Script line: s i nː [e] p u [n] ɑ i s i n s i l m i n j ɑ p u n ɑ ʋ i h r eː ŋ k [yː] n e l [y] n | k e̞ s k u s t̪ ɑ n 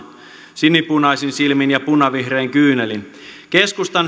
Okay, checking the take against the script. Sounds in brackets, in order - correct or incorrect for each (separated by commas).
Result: incorrect, correct, correct, incorrect